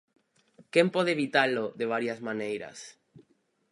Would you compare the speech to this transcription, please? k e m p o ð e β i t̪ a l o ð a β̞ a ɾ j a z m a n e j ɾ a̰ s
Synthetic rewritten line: k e m p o ð e β i t̪ a l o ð e β̞ a ɾ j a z m a n e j ɾ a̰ s